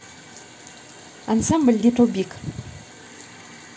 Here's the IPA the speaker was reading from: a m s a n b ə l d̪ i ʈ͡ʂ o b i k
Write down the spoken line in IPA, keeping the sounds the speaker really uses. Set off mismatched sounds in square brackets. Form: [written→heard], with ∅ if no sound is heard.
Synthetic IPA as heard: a [m→n] s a [n→m] b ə l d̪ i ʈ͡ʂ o b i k